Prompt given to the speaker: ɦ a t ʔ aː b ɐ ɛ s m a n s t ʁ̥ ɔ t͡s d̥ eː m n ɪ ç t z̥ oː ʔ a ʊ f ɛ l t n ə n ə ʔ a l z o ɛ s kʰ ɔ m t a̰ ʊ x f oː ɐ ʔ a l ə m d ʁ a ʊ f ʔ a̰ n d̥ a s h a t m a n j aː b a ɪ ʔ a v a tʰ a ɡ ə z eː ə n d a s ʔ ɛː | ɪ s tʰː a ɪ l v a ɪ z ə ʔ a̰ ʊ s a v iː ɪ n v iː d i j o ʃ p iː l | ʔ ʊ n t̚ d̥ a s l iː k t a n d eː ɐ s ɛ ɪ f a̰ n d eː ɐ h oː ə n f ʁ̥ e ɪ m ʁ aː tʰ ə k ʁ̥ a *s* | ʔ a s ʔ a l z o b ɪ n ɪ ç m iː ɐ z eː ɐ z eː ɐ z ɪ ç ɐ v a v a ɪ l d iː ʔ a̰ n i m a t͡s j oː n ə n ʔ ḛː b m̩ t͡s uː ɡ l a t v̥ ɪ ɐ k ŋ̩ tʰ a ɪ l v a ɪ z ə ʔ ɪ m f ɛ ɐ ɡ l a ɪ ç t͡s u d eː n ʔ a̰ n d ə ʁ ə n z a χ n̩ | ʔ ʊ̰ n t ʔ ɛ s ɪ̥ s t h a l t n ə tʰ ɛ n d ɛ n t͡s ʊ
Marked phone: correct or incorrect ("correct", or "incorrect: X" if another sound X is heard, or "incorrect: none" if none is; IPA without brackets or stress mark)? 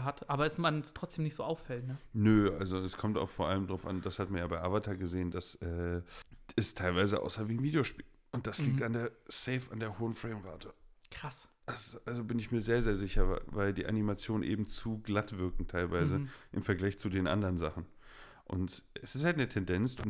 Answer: correct